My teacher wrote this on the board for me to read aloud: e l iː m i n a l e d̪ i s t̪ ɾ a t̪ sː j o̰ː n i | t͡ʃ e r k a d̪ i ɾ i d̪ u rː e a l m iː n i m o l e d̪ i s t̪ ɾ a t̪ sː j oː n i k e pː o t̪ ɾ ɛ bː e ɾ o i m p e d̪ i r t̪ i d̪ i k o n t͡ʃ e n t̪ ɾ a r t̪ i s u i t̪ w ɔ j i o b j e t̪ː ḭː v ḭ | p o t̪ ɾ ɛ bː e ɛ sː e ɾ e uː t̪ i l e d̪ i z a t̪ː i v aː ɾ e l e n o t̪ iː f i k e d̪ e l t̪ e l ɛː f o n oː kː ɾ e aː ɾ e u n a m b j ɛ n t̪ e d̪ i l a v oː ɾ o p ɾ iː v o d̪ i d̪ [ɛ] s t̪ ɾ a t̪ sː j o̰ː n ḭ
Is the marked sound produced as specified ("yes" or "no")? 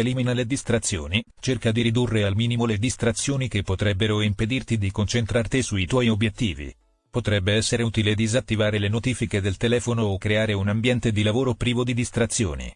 no